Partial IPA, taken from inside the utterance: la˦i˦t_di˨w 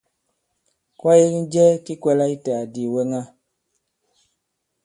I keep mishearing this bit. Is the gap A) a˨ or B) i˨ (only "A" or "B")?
A